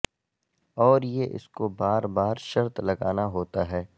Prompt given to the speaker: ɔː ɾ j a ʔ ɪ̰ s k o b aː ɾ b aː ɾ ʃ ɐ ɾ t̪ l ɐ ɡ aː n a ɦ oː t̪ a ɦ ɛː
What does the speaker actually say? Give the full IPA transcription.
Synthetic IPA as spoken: ɔː ɾ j e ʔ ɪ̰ s k o b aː ɾ b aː ɾ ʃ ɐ ɾ t̪ l ɐ ɡ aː n a ɦ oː t̪ a ɦ ɛː